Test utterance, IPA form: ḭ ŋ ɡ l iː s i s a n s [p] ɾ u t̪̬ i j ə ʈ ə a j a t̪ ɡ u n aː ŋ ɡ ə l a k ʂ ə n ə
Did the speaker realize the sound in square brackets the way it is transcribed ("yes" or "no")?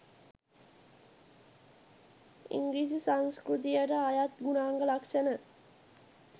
no